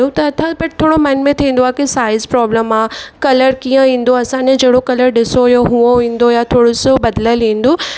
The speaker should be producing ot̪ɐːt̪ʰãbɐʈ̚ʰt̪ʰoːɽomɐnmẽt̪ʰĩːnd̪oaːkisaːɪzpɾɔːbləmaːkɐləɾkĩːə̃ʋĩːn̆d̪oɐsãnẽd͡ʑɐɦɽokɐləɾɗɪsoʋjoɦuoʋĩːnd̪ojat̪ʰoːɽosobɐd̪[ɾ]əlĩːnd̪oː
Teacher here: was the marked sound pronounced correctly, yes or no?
no